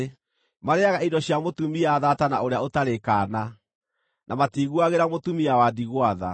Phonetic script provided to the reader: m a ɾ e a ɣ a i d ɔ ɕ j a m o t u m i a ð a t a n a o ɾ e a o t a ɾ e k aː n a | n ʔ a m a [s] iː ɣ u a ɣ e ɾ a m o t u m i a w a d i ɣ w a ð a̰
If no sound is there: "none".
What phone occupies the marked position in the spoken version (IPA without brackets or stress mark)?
t